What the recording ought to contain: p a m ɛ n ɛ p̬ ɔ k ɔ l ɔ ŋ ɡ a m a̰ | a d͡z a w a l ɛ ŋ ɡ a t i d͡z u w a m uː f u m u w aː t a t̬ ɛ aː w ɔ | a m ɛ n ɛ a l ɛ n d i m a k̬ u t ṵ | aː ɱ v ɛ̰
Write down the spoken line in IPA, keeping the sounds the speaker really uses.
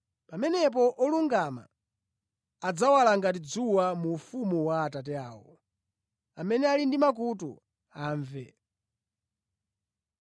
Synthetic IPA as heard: p a m ɛ n ɛ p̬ ɔ ʔ ɔ l u ŋ ɡ a m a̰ | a d͡z a w a l a ŋ ɡ a t i d͡z u w a m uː f u m u w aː t a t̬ ɛ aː w ɔ | a m ɛ n ɛ a l i n d i m a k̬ u t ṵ | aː ɱ v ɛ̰